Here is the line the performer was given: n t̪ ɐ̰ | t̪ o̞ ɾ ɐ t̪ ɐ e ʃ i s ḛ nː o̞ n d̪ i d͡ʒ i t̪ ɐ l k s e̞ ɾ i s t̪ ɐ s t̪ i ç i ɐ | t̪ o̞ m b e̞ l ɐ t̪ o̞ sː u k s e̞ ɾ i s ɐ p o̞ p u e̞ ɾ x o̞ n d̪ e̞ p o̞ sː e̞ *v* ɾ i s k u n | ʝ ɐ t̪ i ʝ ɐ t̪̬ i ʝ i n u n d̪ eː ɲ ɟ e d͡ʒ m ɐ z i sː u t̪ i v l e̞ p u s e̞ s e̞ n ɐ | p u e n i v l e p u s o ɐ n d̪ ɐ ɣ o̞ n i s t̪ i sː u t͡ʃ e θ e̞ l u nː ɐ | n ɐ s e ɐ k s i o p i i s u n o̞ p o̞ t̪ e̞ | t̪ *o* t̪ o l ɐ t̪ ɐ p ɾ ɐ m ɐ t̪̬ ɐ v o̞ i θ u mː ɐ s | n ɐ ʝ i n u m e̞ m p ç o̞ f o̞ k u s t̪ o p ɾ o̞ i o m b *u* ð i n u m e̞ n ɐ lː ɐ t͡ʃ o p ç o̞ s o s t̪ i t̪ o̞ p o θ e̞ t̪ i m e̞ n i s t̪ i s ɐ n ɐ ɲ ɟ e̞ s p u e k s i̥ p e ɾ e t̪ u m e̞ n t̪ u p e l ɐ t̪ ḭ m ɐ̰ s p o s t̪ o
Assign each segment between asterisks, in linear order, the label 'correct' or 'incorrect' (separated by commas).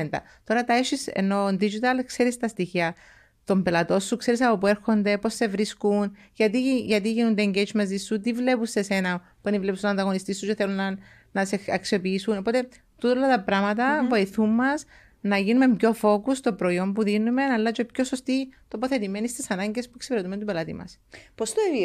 correct, incorrect, correct